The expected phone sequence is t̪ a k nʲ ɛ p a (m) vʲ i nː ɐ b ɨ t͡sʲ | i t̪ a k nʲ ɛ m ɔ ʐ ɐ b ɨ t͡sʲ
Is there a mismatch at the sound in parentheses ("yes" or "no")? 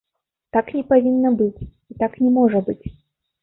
yes